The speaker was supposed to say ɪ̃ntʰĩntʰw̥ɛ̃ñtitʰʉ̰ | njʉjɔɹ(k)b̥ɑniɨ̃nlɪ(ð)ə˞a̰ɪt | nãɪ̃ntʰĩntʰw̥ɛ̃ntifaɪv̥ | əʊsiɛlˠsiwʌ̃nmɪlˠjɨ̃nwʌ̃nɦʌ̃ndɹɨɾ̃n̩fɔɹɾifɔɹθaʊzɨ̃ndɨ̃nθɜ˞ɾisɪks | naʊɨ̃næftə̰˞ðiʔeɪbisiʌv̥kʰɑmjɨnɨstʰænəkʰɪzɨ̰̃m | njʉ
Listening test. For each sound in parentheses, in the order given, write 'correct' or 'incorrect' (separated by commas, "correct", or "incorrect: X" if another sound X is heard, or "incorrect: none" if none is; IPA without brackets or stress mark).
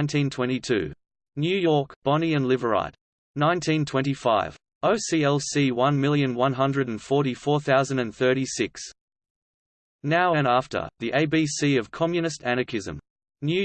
correct, incorrect: v